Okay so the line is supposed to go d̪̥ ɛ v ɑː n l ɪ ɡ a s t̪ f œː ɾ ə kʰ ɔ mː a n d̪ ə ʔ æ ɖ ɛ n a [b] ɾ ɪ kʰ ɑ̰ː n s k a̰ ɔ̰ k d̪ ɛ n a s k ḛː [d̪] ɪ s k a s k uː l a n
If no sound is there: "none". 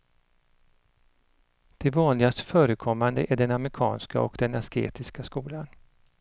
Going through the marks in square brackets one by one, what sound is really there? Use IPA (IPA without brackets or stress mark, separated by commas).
m, t̪